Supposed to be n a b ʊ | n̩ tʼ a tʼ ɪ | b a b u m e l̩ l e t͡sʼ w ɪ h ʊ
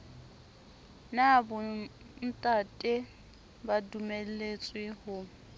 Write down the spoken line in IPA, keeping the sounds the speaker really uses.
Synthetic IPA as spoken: n a b ʊ | n̩ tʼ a tʼ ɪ | b a d u m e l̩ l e t͡sʼ w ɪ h ʊ